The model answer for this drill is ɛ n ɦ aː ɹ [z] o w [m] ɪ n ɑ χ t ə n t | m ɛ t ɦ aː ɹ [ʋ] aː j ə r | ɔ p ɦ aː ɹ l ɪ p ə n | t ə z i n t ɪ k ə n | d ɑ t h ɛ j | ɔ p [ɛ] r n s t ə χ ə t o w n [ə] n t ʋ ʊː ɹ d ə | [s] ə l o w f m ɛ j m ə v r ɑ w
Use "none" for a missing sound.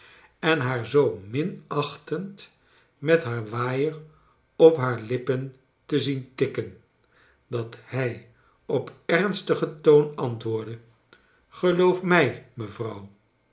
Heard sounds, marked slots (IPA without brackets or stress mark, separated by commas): z, m, ʋ, ɛ, ɑ, χ